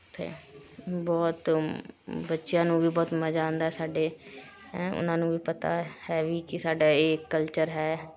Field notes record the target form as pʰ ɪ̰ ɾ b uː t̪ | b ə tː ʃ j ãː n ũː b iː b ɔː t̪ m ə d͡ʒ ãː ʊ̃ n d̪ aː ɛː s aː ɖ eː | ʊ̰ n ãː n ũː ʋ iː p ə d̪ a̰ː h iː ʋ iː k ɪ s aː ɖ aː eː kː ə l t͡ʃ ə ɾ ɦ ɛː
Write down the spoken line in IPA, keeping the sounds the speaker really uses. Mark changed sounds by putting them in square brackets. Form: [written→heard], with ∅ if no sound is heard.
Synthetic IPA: pʰ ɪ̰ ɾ b [uː→ɔː] t̪ | b ə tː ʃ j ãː n ũː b iː b ɔː t̪ m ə d͡ʒ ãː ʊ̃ n d̪ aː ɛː s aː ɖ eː | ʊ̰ n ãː n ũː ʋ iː p ə [d̪→t̪] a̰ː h [iː→ɛː] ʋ iː k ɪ s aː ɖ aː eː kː ə l t͡ʃ ə ɾ ɦ ɛː